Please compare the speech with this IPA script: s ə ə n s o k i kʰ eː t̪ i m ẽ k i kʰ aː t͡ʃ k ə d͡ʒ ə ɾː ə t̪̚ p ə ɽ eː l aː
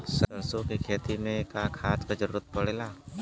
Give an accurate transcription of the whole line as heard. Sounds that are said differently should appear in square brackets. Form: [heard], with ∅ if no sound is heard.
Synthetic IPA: s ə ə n s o k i kʰ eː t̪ i m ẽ k [a] kʰ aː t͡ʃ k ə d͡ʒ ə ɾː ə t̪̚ p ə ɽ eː l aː